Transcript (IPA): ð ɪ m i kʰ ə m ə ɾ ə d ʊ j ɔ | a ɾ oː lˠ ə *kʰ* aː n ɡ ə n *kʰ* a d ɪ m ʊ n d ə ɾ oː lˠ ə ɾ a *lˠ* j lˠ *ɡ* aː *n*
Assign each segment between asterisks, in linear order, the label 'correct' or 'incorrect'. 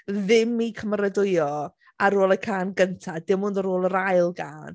correct, incorrect, incorrect, correct, correct

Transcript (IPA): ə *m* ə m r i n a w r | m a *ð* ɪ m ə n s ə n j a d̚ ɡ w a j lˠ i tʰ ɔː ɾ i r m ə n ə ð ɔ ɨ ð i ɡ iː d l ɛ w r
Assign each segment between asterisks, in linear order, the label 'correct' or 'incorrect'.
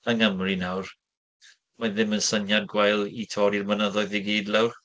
incorrect, correct

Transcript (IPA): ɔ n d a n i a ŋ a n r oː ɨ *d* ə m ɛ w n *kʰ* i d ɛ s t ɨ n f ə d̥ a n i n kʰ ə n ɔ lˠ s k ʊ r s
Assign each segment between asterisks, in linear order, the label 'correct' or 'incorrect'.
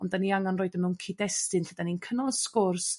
correct, correct

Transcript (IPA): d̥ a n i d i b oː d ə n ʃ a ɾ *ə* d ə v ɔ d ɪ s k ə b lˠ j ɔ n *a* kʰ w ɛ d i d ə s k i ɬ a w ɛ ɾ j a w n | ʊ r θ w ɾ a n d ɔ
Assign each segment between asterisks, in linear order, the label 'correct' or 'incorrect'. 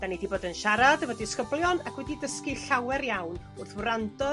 incorrect, correct

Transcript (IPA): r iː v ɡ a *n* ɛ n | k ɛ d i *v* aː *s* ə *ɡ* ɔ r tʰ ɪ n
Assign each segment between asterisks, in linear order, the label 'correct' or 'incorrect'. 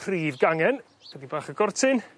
incorrect, incorrect, incorrect, correct

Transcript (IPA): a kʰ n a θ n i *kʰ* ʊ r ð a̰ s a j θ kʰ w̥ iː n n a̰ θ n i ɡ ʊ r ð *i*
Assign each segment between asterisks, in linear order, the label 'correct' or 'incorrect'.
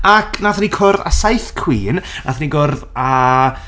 correct, incorrect

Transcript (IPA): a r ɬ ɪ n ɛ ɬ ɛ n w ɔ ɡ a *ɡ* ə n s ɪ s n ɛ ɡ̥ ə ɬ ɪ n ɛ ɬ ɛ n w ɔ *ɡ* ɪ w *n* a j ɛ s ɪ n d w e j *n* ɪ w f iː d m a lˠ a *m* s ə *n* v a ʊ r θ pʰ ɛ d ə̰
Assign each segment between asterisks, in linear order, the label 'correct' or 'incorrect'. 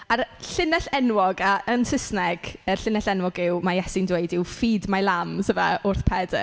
incorrect, correct, incorrect, incorrect, correct, incorrect

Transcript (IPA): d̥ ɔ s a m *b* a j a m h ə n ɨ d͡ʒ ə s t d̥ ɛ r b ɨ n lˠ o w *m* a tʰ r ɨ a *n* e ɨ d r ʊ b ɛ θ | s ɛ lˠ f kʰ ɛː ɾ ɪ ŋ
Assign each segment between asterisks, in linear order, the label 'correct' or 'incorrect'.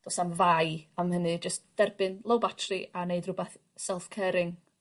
incorrect, incorrect, correct

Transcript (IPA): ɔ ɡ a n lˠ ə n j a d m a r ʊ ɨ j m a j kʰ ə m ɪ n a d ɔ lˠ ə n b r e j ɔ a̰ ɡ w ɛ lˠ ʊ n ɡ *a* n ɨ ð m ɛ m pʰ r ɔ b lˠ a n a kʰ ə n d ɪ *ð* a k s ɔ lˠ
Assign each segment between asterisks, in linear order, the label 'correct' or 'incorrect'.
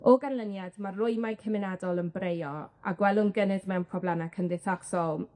incorrect, incorrect

